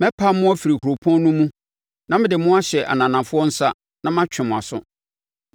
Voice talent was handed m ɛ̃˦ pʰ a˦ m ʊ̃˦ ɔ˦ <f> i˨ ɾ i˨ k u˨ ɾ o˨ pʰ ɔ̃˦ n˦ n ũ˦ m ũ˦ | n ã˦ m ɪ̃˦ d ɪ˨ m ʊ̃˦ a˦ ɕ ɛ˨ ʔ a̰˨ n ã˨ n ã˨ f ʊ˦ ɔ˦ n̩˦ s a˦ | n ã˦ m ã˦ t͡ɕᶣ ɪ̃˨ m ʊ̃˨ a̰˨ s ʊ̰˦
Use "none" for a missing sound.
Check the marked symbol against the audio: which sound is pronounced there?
f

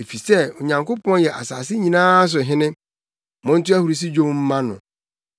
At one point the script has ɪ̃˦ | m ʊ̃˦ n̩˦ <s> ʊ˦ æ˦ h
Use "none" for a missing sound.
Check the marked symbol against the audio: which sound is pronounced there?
t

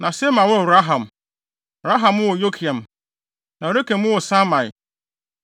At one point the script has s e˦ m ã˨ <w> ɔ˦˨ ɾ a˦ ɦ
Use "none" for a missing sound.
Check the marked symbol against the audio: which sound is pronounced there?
w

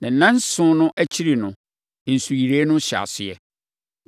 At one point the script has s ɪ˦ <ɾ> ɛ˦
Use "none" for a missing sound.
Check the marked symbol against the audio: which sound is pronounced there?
none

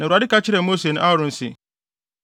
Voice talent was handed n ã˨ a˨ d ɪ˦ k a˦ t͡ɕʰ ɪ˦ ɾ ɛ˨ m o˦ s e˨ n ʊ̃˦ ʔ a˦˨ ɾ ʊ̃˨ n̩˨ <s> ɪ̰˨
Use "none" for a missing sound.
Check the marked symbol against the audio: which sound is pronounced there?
s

